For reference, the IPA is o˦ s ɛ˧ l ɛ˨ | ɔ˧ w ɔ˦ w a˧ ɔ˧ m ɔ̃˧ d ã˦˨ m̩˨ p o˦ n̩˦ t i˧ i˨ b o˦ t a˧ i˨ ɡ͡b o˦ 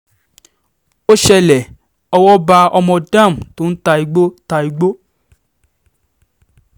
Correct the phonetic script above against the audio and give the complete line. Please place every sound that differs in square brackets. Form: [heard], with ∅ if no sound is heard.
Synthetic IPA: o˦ [ʃ] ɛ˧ l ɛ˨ | ɔ˧ w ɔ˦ [b] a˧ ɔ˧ m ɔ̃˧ d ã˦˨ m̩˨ [t] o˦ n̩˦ t [a˧] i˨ [ɡ͡b] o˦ t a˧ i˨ ɡ͡b o˦